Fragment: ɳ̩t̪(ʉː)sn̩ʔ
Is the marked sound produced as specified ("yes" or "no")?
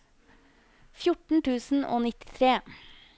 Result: yes